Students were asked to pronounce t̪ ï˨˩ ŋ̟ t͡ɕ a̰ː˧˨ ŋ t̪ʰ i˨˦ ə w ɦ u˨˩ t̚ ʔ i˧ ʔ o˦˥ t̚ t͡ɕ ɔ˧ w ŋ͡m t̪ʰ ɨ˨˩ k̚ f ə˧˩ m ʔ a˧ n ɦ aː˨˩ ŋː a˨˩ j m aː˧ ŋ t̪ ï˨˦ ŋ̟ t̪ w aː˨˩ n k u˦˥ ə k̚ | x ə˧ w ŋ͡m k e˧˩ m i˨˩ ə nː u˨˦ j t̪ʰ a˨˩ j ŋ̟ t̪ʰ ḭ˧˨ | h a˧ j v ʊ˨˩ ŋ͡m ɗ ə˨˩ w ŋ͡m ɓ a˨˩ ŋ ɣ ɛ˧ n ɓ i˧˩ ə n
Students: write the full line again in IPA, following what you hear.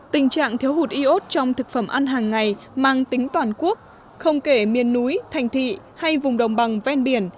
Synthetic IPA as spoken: t̪ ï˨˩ ŋ̟ t͡ɕ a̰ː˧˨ ŋ t̪ʰ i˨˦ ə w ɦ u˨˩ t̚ ʔ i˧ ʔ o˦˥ t̚ t͡ɕ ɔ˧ w ŋ͡m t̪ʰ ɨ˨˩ k̚ f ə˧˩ m ʔ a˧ n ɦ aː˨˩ ŋː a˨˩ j m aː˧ ŋ t̪ ï˨˦ ŋ̟ t̪ w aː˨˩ n k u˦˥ ə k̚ | x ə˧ w ŋ͡m k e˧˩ m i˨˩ ə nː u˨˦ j t̪ʰ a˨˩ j ŋ̟ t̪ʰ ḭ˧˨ | h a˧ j v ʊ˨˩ ŋ͡m ɗ ə˨˩ w ŋ͡m ɓ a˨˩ ŋ v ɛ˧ n ɓ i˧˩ ə n